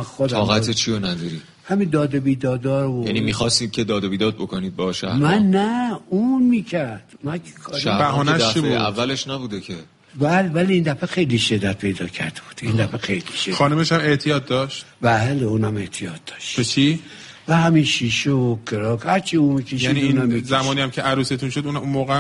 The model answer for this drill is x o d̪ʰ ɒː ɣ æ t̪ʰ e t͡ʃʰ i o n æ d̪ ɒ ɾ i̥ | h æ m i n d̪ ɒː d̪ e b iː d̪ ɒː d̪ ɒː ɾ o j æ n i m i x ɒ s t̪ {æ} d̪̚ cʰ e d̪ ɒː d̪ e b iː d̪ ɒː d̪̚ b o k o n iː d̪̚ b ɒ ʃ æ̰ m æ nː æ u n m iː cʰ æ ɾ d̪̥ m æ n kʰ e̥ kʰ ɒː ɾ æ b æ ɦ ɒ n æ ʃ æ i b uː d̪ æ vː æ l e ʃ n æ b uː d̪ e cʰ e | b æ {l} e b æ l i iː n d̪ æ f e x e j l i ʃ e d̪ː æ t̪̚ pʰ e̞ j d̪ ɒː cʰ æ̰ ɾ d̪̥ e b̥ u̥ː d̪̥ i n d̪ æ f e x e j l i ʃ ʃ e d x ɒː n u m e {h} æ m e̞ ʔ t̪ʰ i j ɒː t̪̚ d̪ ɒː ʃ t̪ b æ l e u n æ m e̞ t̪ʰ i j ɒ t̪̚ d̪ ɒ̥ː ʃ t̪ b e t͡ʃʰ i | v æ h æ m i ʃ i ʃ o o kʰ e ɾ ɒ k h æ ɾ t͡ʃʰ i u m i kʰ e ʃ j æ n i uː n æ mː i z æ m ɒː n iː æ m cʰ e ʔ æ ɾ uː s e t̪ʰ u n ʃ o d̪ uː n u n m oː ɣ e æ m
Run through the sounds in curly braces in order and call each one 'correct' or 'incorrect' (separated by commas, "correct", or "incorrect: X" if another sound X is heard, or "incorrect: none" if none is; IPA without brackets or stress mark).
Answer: incorrect: i, correct, incorrect: ʃ